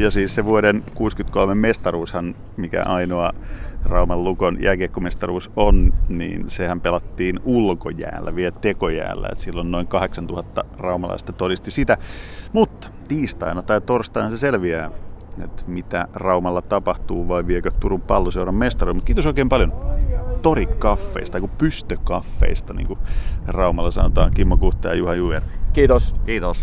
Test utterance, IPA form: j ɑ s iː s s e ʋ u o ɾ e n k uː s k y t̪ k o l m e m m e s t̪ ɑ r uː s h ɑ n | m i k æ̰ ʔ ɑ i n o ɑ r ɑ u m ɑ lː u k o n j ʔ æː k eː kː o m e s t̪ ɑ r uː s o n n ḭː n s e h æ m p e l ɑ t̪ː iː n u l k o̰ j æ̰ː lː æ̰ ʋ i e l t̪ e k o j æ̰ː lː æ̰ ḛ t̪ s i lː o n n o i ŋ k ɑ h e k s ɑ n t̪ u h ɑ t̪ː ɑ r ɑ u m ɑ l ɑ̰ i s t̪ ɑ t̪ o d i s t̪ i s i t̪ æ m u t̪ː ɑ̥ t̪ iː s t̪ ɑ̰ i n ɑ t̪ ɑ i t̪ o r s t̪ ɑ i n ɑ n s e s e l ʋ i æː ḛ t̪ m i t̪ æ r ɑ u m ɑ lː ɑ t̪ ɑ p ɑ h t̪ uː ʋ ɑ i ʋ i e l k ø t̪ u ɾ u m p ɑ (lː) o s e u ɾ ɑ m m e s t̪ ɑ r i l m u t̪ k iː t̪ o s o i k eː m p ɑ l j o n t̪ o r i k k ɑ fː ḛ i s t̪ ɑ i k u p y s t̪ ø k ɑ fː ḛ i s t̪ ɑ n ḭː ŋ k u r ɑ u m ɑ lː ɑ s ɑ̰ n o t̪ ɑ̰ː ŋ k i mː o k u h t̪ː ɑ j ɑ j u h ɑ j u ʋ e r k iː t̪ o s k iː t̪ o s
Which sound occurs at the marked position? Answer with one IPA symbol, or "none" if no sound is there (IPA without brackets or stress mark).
lː